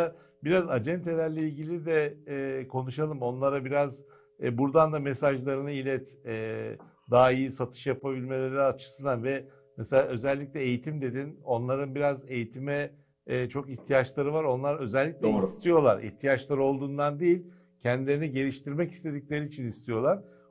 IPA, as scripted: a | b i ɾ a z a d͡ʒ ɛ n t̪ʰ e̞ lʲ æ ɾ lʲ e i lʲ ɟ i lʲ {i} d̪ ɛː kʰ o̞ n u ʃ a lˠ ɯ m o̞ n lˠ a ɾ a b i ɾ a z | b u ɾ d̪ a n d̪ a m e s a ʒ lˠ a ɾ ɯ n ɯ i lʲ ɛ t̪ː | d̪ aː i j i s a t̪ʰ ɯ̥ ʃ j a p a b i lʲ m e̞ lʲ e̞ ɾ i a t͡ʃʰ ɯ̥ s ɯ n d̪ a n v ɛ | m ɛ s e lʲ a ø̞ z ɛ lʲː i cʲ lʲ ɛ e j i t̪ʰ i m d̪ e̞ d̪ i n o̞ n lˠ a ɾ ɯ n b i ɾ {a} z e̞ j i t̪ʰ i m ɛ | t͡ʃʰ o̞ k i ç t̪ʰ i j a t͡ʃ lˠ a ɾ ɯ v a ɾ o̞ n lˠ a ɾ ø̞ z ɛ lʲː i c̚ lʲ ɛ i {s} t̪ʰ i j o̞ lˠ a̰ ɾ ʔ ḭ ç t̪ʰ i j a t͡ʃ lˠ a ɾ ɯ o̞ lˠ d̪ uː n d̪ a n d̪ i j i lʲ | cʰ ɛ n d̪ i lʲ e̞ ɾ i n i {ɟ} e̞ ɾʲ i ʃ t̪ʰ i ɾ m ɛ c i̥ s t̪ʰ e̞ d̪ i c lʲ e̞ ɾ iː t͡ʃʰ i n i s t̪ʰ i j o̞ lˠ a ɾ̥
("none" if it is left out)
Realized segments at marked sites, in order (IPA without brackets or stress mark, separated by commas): i, a, s, ɟ